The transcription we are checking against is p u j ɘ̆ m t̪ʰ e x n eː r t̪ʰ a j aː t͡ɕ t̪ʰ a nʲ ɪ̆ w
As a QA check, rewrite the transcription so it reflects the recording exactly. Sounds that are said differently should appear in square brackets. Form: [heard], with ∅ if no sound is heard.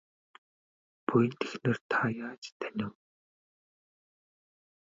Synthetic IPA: p u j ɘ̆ [n] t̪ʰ e x n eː r t̪ʰ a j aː t͡ɕ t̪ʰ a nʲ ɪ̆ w

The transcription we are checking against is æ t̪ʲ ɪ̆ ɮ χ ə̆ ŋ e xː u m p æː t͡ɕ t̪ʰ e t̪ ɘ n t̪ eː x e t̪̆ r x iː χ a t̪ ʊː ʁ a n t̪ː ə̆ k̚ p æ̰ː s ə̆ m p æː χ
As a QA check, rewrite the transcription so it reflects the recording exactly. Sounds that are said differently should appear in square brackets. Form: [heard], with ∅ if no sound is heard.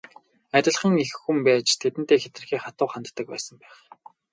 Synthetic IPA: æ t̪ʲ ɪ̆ ɮ χ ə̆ ŋ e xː u m p æː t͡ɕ t̪ʰ e t̪ ɘ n t̪ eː x e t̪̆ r x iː χ a t̪ ʊː [χ] a n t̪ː ə̆ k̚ p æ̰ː s ə̆ m p æː χ

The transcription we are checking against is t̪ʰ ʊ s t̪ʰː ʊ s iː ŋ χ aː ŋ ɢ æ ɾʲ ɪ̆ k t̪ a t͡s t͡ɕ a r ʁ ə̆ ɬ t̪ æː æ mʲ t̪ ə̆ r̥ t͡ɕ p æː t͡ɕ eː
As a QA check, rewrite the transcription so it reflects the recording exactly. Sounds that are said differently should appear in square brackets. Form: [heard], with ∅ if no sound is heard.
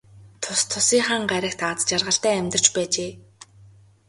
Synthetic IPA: t̪ʰ ʊ s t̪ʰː ʊ s iː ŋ χ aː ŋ ɢ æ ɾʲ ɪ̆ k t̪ a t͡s t͡ɕ a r ʁ ə̆ ɬ t̪ æː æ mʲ t̪ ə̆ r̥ t͡ɕ p æː t͡ɕ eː

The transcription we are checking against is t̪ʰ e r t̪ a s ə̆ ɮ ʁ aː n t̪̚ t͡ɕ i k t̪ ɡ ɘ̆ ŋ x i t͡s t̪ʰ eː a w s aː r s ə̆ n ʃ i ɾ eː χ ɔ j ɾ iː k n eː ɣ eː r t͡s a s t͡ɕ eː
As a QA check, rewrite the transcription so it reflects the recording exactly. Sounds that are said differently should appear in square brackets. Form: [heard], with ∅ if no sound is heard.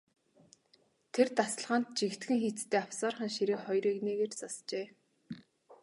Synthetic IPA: t̪ʰ e r t̪ a s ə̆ ɮ ʁ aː n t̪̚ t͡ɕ i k t̪ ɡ ɘ̆ ŋ x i t͡s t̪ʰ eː a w s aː r [χ] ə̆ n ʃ i ɾ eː χ ɔ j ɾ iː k n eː ɣ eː r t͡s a s t͡ɕ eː

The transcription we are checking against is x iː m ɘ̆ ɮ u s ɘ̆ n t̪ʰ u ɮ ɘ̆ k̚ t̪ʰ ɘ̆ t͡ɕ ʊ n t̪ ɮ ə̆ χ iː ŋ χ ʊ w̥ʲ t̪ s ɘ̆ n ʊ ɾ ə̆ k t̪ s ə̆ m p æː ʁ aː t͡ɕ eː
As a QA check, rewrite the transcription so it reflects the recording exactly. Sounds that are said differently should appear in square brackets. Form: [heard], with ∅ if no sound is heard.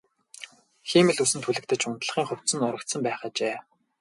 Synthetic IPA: x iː m ɘ̆ ɮ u s ɘ̆ n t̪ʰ u ɮ ɘ̆ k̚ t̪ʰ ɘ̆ t͡ɕ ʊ n t̪ ɮ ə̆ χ iː ŋ χ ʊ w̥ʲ t̪ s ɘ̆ n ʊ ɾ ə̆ k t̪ s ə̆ m p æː [χ] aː t͡ɕ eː

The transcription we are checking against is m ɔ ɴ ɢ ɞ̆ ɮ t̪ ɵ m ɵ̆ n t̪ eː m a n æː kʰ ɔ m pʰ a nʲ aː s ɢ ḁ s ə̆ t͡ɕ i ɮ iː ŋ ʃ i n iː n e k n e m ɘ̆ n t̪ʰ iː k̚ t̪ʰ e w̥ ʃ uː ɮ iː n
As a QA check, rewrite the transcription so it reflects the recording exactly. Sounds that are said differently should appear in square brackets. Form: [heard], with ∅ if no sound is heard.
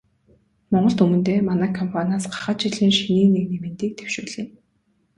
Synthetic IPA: m ɔ ɴ ɢ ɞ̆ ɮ t̪ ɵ m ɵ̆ n t̪ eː m a n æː kʰ ɔ m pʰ a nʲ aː s ɢ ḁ [χ] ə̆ t͡ɕ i ɮ iː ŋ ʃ i n iː n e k n e m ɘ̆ n [t̪] iː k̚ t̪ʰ e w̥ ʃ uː ɮ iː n

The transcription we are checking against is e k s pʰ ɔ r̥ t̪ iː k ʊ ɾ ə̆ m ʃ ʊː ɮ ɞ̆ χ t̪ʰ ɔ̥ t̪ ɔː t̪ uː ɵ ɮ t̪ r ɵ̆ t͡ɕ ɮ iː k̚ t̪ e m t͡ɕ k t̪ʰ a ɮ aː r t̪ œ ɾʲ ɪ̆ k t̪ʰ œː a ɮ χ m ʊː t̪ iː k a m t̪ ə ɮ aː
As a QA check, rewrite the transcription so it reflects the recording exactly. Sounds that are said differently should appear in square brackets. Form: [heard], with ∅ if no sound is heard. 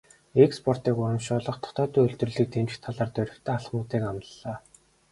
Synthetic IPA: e k s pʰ ɔ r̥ t̪ iː k ʊ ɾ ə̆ m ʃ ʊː ɮ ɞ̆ χ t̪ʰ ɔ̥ t̪ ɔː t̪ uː ɵ ɮ t̪ r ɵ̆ [∅] ɮ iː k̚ t̪ e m t͡ɕ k t̪ʰ a ɮ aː r t̪ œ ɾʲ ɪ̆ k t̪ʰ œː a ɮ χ m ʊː t̪ iː k a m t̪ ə ɮ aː

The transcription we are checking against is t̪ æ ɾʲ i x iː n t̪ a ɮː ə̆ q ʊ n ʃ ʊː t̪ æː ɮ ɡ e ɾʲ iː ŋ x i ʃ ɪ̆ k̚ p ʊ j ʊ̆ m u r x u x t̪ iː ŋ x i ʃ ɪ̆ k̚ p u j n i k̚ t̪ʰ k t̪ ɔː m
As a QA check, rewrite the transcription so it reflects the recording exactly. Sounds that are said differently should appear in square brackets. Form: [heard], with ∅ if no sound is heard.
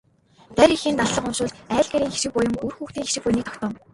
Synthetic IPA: t̪ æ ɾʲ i x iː n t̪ a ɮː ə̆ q ʊ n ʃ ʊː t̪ æː ɮ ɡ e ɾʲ iː ŋ x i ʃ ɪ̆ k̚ p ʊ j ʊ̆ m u r x [uː] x t̪ iː ŋ x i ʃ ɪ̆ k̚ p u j n i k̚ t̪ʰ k t̪ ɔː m

